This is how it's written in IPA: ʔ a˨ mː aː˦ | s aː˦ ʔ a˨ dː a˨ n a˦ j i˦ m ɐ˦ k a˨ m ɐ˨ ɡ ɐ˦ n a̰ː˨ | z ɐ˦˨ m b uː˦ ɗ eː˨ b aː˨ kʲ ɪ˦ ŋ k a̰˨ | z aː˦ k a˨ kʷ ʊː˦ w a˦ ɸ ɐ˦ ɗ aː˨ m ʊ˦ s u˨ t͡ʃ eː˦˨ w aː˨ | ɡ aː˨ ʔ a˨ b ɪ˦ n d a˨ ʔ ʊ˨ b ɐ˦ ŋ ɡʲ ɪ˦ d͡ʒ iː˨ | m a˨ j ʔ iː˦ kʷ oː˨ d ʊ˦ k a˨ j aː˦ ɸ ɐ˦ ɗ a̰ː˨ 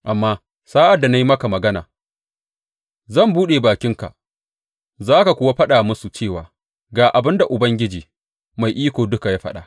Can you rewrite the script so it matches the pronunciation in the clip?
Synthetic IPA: ʔ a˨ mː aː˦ | s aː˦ ʔ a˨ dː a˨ n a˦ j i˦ m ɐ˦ k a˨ m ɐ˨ ɡ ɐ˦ n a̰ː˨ | z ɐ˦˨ m b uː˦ ɗ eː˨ b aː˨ kʲ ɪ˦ ŋ k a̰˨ | z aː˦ k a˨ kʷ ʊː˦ w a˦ ɸ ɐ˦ ɗ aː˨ m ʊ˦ s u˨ t͡ʃ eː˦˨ w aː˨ | ɡ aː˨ ʔ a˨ b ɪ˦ n d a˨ ʔ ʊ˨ b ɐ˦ ŋ ɡʲ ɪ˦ d͡ʒ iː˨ | m a˨ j ʔ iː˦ kʷ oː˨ d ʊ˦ k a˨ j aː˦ ɸ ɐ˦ ɗ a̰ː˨